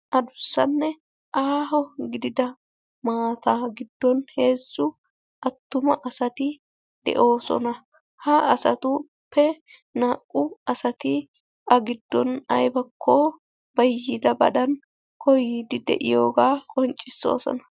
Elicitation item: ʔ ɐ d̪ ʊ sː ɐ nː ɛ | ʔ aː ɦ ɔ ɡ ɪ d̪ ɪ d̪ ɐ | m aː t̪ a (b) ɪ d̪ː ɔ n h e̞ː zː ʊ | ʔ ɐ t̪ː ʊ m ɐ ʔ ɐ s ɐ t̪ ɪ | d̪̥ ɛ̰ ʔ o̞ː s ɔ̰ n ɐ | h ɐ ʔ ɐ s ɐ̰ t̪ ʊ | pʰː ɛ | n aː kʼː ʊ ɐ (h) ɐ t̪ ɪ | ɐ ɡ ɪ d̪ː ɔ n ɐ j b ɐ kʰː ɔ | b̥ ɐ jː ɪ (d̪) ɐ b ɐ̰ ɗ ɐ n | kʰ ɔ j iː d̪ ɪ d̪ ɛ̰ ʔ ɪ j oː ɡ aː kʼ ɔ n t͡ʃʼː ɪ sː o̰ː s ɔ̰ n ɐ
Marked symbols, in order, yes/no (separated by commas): no, no, yes